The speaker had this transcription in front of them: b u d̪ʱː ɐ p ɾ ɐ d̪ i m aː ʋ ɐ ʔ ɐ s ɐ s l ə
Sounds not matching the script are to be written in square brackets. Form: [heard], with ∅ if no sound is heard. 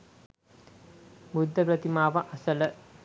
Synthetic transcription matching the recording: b u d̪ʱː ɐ p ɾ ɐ [t̪] i m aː ʋ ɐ ʔ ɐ s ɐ [∅] l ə